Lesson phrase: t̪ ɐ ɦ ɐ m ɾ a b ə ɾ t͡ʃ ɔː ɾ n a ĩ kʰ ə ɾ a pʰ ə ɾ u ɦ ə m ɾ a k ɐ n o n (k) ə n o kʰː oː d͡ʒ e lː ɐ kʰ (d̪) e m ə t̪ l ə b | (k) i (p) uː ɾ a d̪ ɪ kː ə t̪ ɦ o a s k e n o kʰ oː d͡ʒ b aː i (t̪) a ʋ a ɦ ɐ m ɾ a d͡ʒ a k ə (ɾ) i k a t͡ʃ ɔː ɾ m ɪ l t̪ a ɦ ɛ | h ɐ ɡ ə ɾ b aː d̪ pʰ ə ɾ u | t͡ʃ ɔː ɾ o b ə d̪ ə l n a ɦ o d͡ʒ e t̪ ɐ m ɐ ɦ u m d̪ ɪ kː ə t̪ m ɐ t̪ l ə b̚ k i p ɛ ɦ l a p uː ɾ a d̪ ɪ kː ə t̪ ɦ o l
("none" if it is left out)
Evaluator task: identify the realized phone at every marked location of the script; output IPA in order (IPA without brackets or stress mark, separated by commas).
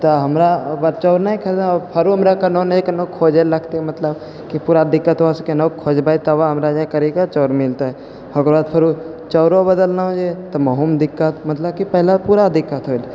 k, t̪, k, p, t̪, ɾ